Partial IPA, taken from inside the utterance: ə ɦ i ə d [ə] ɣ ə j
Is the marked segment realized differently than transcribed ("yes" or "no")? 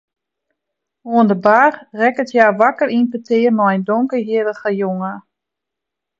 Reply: no